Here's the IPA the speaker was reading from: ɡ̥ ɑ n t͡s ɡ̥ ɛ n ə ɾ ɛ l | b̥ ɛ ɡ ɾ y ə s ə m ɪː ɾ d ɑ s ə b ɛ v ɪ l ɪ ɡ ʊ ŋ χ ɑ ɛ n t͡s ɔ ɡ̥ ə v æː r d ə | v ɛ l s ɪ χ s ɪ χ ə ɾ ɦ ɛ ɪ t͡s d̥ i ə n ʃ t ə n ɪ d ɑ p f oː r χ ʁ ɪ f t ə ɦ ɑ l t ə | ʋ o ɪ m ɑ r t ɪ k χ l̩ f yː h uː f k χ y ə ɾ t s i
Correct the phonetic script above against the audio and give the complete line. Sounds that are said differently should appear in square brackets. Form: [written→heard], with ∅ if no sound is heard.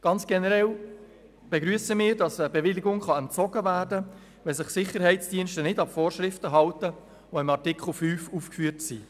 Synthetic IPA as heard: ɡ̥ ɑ n t͡s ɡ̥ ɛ n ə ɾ ɛ l | b̥ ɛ ɡ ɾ y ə s ə m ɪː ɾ d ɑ s ə b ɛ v ɪ l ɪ ɡ ʊ ŋ χ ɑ ɛ n t͡s ɔ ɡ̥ ə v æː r d ə | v ɛ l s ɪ χ s ɪ χ ə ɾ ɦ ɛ ɪ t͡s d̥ i ə n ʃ t ə n ɪ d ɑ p f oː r [χ→ʃ] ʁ ɪ f t ə ɦ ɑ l t ə | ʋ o ɪ m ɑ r t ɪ k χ l̩ f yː [h→f] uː f k [χ→f] y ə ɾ t s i